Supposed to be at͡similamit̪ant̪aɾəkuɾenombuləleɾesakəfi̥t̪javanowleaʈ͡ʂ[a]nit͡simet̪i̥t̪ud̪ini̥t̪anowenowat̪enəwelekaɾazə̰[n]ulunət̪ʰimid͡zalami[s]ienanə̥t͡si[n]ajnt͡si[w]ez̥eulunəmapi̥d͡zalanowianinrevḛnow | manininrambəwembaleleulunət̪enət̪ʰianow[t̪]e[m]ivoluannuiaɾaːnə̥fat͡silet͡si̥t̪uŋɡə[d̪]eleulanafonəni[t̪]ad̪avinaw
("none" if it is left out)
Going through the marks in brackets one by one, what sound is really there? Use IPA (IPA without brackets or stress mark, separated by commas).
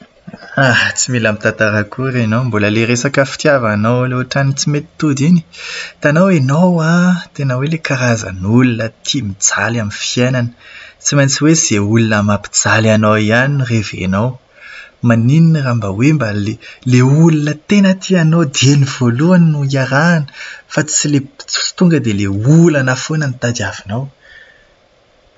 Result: a, n, f, m, w, d̪, n, d̪, t̪